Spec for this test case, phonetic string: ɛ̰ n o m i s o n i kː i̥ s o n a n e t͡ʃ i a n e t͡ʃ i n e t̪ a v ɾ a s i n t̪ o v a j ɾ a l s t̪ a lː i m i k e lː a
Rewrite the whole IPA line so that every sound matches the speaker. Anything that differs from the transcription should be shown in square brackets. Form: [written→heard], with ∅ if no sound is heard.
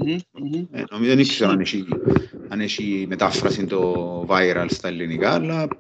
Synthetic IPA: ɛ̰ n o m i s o n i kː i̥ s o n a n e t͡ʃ i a n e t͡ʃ i [n→m] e t̪ a [v→f] ɾ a s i n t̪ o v a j ɾ a l s t̪ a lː i [m→n] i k [e→a] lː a